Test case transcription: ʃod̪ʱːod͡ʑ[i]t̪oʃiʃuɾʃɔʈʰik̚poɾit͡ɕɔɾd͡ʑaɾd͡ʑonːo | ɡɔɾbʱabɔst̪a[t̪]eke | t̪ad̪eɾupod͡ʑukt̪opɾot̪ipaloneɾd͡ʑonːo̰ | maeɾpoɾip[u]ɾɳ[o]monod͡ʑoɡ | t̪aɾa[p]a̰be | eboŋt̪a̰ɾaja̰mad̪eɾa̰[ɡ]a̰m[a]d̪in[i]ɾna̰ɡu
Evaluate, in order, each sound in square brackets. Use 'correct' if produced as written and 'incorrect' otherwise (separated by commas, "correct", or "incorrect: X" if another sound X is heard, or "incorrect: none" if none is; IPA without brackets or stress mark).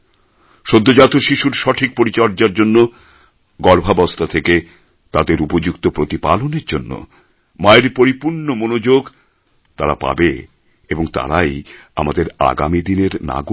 incorrect: a, incorrect: t̪ʰ, correct, correct, correct, correct, incorrect: i, incorrect: e